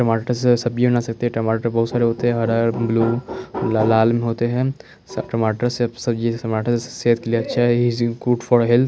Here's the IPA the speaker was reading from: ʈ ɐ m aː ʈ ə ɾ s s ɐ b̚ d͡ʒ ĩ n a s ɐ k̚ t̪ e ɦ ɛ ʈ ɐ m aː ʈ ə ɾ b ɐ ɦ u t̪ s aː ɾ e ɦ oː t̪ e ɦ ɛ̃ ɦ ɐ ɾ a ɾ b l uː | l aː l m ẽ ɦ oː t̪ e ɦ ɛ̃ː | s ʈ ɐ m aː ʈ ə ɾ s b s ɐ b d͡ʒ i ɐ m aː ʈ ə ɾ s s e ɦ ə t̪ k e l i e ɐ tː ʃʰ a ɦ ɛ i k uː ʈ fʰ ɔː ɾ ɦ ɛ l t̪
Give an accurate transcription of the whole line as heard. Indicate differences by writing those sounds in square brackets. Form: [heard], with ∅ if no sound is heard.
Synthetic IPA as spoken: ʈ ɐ m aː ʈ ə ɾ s s ɐ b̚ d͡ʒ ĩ n a s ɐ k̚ t̪ e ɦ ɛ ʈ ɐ m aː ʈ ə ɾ b ɐ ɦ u t̪ s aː ɾ e ɦ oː t̪ e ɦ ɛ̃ ɦ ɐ ɾ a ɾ b l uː | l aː l m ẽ ɦ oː t̪ e ɦ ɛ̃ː | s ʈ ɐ m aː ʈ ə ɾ s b s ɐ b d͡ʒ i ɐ m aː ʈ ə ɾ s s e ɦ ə t̪ k e l i e ɐ tː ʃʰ a ɦ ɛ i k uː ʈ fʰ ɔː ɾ ɦ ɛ l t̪